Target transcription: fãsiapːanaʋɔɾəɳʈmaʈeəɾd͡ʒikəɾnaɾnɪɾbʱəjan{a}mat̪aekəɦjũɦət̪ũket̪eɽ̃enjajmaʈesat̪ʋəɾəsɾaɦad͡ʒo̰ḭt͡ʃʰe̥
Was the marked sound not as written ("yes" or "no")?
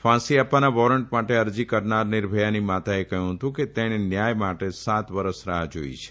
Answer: yes